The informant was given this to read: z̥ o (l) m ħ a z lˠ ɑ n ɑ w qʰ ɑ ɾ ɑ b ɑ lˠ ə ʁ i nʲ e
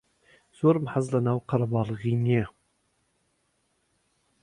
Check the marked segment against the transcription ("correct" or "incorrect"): incorrect